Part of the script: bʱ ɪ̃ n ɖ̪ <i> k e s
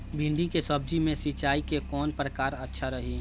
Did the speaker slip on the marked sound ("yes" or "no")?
no